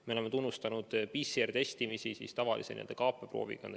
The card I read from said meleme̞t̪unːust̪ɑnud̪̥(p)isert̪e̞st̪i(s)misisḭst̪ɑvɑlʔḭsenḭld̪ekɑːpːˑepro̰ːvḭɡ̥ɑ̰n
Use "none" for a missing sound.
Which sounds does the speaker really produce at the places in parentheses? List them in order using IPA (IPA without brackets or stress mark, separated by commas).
p, none